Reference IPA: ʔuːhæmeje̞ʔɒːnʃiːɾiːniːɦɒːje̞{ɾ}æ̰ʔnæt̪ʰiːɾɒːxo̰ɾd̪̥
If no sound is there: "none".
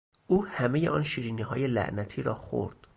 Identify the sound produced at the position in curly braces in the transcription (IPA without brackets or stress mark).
l